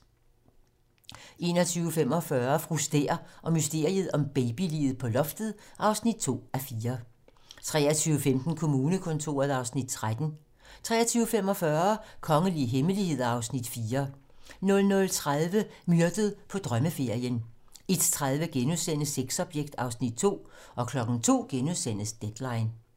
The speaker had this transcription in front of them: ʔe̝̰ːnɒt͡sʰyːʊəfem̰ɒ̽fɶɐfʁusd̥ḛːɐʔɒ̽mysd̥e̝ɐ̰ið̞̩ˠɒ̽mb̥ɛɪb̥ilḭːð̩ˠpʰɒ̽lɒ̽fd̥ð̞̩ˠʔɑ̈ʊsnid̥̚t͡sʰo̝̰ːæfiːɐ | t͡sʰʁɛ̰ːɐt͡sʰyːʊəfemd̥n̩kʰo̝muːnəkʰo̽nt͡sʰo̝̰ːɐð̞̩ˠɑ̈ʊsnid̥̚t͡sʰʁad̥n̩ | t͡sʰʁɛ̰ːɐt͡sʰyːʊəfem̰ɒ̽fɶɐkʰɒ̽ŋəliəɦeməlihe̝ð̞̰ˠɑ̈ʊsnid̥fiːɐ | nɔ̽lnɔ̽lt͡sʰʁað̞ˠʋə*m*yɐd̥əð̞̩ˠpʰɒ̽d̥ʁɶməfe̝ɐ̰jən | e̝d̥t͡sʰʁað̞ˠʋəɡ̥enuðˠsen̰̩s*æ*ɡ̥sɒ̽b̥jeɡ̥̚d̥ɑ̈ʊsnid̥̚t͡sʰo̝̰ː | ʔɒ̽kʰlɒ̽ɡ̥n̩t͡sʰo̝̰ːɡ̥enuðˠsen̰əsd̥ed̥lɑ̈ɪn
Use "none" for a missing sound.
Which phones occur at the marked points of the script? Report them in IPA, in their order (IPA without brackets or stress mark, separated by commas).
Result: m, e